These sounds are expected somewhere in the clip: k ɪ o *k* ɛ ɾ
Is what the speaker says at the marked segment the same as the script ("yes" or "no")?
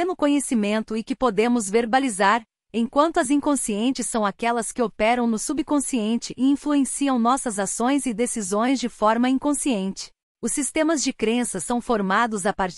no